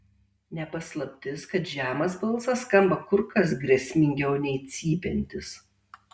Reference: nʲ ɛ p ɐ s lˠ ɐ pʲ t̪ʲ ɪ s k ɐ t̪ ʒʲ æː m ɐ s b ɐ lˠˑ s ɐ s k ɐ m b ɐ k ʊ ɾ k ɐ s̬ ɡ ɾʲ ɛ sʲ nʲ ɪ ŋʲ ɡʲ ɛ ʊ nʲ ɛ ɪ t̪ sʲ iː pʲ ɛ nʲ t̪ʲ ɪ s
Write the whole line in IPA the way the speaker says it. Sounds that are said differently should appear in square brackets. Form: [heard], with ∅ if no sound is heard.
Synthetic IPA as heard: nʲ ɛ p ɐ s lˠ ɐ pʲ t̪ʲ ɪ s k ɐ t̪ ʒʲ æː m ɐ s b ɐ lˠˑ s ɐ s k ɐ m b ɐ k ʊ ɾ k ɐ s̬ ɡ ɾʲ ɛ sʲ [mʲ] ɪ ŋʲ ɡʲ ɛ ʊ nʲ ɛ ɪ t̪ sʲ iː pʲ ɛ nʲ t̪ʲ ɪ s